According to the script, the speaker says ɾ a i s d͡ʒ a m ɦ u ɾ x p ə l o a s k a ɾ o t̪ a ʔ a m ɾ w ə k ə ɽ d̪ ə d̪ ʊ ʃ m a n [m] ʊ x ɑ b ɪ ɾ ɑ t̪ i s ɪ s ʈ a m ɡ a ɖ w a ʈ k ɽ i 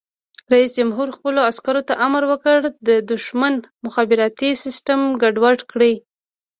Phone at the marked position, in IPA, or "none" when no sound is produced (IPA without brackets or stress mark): m